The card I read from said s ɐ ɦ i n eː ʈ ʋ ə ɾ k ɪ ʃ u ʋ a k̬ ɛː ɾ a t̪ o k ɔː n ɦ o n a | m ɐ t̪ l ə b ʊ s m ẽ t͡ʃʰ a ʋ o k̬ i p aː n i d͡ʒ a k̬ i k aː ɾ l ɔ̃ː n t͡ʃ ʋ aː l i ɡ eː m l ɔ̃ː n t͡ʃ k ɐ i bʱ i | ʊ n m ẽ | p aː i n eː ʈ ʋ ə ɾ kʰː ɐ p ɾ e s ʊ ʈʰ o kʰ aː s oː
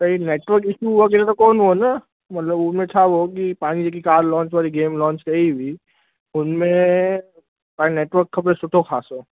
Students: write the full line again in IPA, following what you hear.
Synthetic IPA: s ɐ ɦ i n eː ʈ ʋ ə ɾ k ɪ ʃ u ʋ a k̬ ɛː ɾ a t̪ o k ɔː n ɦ o n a | m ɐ t̪ l ə b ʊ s m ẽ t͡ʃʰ a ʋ o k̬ i p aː n i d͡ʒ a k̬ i k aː ɾ l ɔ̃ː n t͡ʃ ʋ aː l i ɡ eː m l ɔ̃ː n t͡ʃ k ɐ i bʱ i | ʊ n m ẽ | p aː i n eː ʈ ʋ ə ɾ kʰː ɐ p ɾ e s ʊ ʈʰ o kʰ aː s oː